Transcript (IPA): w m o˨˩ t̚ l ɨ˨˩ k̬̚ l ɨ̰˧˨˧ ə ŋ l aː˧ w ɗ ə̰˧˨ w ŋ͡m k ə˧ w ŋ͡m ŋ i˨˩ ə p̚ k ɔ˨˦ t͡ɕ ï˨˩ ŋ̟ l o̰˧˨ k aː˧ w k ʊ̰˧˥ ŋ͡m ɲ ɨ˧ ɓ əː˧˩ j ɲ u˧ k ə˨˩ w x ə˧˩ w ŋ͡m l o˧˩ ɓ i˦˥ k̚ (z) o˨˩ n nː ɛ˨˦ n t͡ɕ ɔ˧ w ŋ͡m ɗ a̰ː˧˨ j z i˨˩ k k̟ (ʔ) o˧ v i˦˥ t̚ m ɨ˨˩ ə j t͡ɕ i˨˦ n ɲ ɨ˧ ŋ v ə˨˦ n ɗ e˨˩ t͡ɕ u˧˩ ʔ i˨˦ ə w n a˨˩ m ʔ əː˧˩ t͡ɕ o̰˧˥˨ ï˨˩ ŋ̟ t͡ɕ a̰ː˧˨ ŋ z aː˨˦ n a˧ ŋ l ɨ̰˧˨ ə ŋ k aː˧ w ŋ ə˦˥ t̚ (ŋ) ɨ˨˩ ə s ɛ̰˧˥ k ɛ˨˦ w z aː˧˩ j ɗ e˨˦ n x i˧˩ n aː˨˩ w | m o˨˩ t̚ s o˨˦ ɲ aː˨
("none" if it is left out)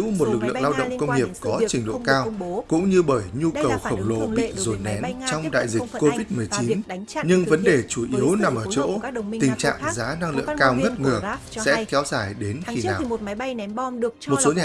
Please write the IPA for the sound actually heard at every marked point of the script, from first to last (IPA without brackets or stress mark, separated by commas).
z, k, ŋ